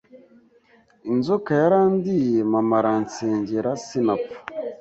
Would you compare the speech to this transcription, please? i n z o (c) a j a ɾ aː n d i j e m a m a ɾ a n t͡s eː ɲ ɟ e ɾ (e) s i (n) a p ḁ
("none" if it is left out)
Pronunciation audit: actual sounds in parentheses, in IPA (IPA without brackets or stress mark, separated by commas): k, a, n